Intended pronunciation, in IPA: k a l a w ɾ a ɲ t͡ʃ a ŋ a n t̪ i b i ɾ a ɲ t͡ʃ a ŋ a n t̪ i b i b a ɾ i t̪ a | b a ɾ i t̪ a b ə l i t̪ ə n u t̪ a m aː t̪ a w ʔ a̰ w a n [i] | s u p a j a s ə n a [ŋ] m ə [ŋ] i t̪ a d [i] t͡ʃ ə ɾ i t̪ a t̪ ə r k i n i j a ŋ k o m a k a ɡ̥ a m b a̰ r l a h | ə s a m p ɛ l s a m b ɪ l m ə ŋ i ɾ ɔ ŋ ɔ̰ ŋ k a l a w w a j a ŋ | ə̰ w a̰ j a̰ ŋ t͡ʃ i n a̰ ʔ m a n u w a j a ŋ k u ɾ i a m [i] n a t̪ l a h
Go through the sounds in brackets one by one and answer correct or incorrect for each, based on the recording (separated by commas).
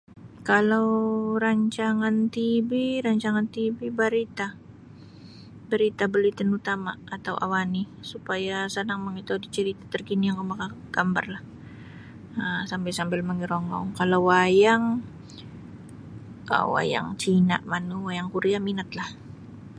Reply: correct, correct, correct, correct, correct